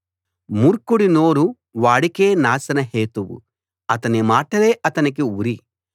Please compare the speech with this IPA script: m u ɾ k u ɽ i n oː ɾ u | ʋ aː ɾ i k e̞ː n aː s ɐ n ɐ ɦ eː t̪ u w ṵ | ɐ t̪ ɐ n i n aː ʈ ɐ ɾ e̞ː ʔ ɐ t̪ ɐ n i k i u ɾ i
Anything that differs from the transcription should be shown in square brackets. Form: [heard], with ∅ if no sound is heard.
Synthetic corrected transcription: m u ɾ k u ɽ i n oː ɾ u | ʋ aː [ɽ] i k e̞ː n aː s ɐ n ɐ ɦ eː t̪ u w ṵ | ɐ t̪ ɐ n i [m] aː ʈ ɐ [l] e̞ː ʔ ɐ t̪ ɐ n i k i u ɾ i